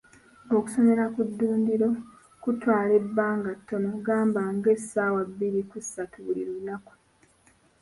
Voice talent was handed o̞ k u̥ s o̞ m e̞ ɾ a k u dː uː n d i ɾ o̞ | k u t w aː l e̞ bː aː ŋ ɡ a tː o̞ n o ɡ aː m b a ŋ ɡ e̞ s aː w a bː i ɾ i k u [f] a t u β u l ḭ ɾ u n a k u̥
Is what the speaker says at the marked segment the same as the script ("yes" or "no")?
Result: no